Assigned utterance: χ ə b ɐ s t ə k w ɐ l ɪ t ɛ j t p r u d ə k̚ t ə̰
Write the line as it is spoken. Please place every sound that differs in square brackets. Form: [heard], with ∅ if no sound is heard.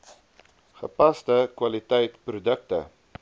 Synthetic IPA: χ ə [p] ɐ s t ə k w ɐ l [i] t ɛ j t p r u d ə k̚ t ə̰